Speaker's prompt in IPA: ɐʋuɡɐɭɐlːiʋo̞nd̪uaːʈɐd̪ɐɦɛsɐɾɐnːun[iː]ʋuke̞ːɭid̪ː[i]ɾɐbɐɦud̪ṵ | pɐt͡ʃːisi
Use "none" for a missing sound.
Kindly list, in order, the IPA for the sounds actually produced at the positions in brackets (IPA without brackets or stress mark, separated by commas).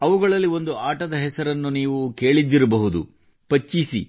iː, i